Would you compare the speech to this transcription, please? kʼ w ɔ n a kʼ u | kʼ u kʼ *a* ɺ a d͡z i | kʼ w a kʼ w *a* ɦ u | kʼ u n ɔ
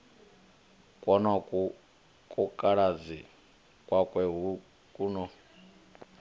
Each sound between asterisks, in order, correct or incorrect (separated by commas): correct, incorrect